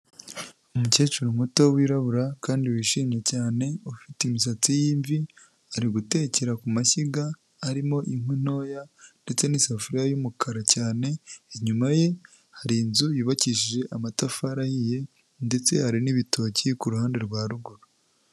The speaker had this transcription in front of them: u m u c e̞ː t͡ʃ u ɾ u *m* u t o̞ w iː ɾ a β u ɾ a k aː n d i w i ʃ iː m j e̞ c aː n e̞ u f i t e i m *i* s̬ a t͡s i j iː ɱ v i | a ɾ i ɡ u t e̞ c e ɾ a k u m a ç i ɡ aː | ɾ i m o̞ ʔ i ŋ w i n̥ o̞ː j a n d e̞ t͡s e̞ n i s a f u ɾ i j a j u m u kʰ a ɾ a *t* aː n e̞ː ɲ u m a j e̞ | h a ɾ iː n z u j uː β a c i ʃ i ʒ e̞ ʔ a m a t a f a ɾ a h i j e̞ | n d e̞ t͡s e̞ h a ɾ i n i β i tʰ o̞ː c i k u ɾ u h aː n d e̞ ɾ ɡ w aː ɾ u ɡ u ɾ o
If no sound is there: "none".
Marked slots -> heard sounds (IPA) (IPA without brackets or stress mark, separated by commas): m, i, c